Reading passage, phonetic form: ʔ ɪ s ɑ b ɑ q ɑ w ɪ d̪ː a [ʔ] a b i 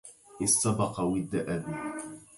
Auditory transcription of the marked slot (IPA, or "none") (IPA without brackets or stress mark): ʔ